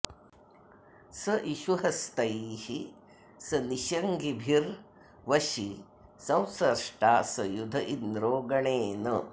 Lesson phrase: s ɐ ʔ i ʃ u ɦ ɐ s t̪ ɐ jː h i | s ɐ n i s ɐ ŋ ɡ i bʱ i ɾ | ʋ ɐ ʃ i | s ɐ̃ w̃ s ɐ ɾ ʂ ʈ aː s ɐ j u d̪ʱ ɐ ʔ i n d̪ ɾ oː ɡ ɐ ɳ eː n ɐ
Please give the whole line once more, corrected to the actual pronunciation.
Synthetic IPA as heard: s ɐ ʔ i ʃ u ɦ ɐ s t̪ ɐ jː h i | s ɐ n i ʃ ɐ ŋ ɡ i bʱ i ɾ | ʋ ɐ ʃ i | s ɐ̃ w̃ s ɐ ɾ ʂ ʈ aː s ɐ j u d̪ʱ ɐ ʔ i n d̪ ɾ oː ɡ ɐ ɳ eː n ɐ